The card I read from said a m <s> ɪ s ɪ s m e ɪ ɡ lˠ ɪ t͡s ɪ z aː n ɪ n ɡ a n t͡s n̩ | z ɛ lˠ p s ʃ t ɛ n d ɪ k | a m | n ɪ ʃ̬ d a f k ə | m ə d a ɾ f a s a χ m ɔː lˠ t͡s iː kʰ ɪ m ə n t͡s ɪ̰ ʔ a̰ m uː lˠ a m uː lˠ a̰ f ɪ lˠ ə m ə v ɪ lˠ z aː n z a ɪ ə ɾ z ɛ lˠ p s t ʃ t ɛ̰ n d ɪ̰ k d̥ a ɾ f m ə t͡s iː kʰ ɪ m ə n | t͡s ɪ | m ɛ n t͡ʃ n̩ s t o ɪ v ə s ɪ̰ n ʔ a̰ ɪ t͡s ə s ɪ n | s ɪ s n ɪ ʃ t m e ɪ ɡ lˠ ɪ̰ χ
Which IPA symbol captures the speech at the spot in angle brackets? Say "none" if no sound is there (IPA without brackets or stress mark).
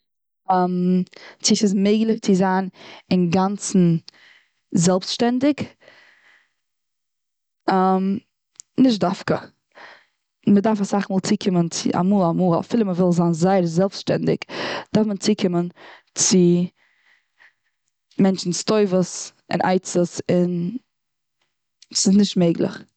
t͡s